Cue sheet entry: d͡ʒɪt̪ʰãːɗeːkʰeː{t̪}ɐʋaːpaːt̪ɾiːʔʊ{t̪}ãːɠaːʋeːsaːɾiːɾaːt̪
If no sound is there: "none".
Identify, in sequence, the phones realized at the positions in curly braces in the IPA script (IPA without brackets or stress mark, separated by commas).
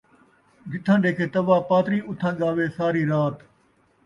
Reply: t̪, t̪ʰ